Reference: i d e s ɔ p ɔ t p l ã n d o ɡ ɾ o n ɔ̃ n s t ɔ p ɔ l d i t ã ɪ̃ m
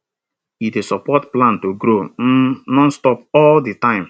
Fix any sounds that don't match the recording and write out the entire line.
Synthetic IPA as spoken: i d e s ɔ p ɔ t p l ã n t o ɡ ɾ o n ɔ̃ n s t ɔ p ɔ l d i t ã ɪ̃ m